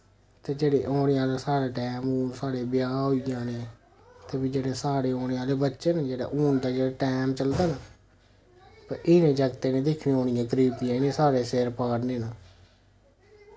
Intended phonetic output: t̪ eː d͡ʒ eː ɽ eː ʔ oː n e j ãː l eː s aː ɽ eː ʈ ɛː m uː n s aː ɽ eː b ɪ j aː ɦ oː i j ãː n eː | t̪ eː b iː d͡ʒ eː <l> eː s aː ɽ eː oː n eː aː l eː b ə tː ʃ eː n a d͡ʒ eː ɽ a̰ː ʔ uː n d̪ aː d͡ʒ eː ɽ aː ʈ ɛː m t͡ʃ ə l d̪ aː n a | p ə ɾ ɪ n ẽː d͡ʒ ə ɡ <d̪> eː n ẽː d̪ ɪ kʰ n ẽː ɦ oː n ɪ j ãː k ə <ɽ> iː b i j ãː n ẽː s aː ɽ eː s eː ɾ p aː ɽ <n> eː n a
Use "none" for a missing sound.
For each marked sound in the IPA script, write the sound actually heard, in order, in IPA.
ɽ, t̪, ɾ, n

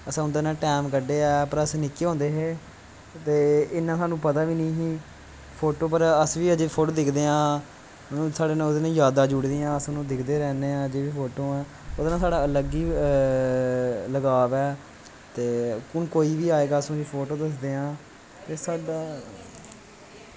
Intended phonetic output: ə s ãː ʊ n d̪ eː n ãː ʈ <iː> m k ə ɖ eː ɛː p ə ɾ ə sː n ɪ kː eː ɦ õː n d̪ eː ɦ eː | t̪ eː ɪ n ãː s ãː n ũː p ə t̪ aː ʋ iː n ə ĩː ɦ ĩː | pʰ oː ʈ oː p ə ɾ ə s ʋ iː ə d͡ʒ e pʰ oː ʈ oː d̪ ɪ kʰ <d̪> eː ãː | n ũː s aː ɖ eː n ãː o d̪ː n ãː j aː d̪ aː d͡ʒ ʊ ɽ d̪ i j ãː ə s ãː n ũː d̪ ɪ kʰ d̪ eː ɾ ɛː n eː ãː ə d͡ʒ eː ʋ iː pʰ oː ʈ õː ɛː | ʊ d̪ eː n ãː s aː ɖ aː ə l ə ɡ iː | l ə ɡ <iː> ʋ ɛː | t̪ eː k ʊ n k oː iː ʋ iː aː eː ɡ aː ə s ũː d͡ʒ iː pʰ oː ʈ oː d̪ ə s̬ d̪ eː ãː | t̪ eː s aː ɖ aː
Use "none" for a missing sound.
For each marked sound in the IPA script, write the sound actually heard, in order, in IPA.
ɛː, d̪, aː

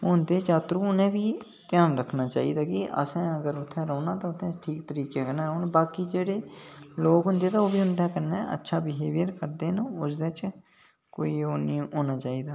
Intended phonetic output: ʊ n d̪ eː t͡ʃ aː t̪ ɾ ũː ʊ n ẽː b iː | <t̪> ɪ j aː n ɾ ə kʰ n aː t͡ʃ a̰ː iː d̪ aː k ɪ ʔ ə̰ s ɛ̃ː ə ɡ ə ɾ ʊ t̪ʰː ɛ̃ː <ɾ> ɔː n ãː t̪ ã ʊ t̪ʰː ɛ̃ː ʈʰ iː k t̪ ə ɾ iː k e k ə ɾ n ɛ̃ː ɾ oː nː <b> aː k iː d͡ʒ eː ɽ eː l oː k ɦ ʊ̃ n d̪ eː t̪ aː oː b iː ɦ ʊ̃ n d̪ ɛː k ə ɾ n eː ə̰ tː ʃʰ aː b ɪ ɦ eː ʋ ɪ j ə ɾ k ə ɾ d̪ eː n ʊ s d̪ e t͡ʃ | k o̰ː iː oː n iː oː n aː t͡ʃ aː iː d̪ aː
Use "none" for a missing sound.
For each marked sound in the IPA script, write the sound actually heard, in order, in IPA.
t̪, ɾ, b

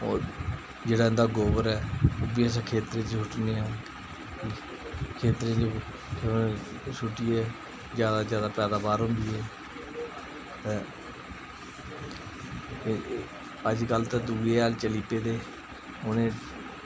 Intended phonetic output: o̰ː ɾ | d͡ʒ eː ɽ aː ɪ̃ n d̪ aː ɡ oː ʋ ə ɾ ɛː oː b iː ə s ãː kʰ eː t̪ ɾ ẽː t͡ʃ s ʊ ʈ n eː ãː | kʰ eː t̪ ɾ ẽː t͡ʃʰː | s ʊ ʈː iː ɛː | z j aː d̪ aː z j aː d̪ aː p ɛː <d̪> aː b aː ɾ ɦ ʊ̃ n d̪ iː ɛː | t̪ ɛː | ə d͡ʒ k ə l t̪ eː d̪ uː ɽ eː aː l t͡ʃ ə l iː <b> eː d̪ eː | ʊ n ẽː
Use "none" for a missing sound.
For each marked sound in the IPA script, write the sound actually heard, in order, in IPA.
d̪, p

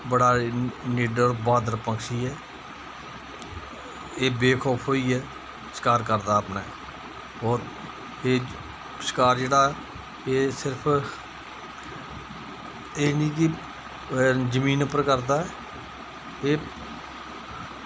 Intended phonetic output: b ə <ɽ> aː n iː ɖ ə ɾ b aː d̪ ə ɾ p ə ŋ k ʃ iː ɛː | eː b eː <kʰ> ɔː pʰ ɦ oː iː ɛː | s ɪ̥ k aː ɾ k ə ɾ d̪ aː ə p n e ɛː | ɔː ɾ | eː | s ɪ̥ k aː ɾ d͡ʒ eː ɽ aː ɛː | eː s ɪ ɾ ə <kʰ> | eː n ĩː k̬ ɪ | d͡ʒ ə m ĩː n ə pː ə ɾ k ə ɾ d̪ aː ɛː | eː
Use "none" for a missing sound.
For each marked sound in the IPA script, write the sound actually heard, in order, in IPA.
ɽ, kʰ, pʰ

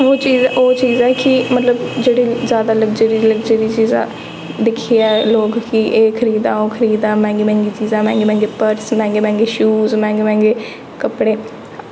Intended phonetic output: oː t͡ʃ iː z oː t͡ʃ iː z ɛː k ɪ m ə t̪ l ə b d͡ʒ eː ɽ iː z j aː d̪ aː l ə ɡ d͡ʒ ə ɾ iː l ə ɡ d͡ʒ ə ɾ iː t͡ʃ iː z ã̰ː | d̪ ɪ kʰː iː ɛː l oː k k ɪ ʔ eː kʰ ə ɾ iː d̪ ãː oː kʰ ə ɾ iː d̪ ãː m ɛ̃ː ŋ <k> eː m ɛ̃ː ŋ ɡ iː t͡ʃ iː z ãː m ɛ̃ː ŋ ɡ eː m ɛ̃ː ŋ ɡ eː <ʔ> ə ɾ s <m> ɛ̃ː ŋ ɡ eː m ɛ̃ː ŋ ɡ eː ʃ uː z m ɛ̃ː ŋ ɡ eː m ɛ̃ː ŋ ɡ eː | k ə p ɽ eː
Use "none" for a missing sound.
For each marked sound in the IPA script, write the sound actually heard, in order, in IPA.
ɡ, p, m

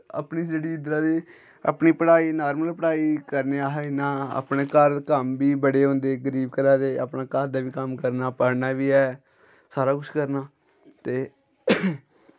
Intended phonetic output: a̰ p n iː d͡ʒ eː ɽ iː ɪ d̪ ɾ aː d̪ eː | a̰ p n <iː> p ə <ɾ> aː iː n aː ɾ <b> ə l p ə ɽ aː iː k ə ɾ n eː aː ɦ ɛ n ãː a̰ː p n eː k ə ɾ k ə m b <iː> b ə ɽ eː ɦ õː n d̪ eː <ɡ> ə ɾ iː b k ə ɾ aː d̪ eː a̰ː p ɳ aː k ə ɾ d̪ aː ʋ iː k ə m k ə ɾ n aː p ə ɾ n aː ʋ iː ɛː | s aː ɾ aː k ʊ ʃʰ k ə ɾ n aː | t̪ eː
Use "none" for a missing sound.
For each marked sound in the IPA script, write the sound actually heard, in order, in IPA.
iː, ɽ, m, iː, ɡ

